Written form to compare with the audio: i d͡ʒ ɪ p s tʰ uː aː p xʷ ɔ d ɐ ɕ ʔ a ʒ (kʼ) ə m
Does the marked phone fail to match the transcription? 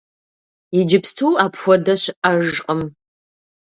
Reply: yes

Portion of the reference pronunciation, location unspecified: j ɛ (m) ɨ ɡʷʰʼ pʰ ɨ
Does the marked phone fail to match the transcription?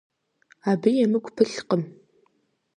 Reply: no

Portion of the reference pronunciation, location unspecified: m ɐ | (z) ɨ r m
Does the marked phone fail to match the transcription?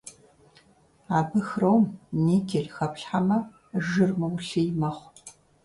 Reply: yes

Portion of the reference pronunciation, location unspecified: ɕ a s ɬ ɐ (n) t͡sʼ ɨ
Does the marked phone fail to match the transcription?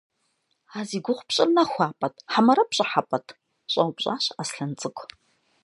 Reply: no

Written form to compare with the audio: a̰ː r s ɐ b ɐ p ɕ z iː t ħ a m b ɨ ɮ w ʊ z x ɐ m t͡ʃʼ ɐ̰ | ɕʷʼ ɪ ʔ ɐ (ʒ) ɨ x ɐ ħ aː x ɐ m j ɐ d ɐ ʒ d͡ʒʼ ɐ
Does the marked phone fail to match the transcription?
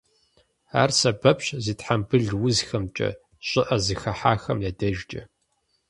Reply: yes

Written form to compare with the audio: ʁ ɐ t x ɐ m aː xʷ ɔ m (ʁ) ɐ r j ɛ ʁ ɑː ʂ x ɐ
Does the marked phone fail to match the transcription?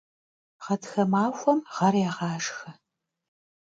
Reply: no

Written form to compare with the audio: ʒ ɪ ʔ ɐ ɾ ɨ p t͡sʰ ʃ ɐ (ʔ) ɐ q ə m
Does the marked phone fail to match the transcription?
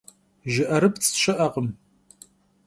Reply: no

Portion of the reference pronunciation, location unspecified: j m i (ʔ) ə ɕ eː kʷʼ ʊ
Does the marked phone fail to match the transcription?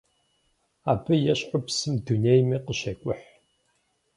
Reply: yes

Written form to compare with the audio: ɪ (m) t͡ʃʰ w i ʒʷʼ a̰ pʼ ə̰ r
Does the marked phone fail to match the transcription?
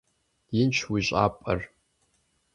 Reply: yes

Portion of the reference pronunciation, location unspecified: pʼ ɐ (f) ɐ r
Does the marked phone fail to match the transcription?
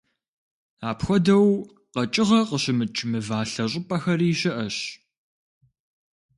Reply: yes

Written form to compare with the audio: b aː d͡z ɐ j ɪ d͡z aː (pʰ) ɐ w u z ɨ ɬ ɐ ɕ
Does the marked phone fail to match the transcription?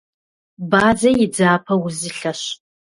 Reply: no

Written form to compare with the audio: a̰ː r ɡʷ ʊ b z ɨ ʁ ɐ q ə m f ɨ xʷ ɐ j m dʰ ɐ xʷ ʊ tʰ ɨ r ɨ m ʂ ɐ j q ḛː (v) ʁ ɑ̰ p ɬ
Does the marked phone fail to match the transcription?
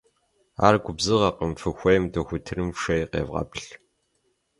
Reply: no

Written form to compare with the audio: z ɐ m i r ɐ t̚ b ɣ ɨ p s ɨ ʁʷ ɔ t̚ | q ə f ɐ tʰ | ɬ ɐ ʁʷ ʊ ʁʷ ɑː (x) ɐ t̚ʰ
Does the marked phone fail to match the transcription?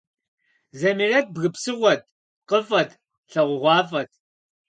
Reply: yes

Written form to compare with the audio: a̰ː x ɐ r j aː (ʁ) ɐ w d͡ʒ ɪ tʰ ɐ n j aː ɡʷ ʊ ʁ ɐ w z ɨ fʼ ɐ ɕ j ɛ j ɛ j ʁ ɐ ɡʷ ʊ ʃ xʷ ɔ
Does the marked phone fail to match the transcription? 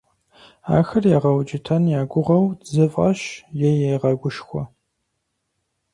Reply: no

